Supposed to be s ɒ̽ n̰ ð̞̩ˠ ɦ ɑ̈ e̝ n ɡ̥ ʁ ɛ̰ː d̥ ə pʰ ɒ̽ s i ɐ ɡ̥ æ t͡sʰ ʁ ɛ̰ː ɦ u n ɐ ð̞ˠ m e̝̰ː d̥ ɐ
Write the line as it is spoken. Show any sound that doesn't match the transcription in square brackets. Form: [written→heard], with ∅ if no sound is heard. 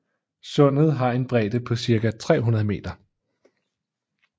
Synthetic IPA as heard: s [ɒ̽→ɔ̽] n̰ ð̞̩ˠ ɦ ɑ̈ e̝ n [ɡ̥→b̥] ʁ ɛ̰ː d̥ ə pʰ ɒ̽ s i ɐ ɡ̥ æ t͡sʰ ʁ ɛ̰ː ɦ u n ɐ ð̞ˠ m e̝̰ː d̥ ɐ